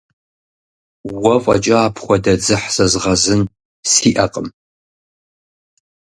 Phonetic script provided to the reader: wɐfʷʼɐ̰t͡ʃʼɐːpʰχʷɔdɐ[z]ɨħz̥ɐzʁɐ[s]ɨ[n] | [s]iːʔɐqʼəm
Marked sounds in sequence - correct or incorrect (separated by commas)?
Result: incorrect, incorrect, correct, correct